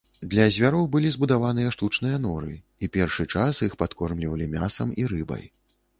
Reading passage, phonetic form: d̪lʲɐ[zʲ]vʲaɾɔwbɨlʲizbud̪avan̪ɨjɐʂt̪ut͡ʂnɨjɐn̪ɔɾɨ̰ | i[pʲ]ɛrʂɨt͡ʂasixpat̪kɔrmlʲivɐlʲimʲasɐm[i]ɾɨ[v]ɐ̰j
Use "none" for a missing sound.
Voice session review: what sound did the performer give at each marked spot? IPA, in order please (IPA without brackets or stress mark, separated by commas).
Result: zʲ, pʲ, i, b